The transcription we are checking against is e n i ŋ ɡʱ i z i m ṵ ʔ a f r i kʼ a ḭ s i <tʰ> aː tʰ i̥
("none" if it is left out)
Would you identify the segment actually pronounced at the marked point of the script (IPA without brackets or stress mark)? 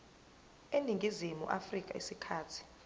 kʰ